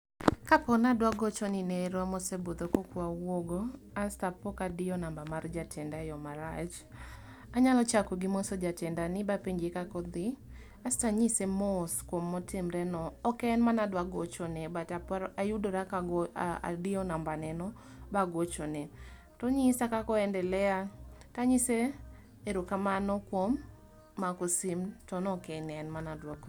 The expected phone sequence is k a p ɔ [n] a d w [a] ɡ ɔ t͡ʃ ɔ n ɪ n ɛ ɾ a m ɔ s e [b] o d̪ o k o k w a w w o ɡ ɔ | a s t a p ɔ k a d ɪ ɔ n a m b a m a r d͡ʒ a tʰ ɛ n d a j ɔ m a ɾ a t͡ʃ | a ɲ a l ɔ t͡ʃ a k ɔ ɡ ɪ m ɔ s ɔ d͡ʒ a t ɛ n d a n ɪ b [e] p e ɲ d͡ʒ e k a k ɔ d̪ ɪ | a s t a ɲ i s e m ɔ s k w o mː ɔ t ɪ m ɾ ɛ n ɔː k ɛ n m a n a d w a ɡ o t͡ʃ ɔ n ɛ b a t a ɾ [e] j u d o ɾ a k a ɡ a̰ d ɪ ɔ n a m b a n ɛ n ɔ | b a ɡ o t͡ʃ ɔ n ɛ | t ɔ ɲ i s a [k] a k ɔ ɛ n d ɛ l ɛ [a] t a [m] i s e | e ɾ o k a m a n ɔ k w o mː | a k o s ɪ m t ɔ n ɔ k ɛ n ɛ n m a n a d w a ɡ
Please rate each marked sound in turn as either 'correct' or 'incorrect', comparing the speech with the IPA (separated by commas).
correct, correct, correct, incorrect, incorrect, correct, correct, incorrect